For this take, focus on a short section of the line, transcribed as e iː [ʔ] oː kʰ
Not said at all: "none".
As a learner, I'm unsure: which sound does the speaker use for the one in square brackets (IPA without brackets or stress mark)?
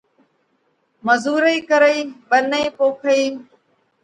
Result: p